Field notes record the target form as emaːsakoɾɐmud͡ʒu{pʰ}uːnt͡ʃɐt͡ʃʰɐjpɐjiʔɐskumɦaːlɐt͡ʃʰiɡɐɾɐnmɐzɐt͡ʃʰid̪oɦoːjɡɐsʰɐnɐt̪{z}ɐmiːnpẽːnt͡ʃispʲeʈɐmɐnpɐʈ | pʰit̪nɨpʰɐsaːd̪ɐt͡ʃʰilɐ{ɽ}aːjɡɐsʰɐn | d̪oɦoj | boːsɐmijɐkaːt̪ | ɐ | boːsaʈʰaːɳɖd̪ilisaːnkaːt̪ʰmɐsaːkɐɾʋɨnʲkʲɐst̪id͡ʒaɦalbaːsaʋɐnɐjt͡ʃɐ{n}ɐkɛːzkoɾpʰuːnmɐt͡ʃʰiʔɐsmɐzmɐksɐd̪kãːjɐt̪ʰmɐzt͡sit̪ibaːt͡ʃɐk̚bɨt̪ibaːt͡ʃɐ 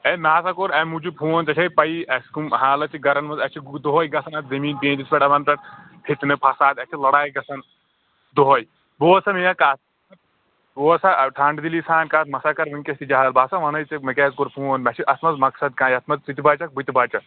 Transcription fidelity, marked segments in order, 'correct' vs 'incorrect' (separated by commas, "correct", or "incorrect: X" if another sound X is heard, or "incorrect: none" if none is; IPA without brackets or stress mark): correct, correct, correct, incorrect: m